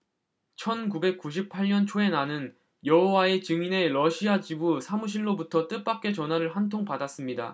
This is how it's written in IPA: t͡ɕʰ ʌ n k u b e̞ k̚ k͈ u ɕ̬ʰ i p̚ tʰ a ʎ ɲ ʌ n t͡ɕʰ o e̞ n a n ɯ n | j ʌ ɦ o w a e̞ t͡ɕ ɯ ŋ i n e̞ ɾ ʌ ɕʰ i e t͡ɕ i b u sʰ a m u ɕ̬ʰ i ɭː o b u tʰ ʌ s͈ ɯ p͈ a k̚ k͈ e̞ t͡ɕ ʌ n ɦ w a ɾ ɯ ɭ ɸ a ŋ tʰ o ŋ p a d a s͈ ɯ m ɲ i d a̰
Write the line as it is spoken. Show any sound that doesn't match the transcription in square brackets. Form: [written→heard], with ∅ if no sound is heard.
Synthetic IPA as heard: t͡ɕʰ ʌ n k u b e̞ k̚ k͈ u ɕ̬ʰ i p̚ [tʰ→pʰ] a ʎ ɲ ʌ n t͡ɕʰ o e̞ n a n ɯ n | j ʌ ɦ o w a e̞ t͡ɕ ɯ ŋ i n e̞ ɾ ʌ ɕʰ i [e→a] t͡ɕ i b u sʰ a m u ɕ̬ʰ i ɭː o b u tʰ ʌ [s͈→t͈] ɯ p͈ a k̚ k͈ e̞ t͡ɕ ʌ n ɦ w a ɾ ɯ ɭ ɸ a [ŋ→n] tʰ o ŋ p a d a s͈ ɯ m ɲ i d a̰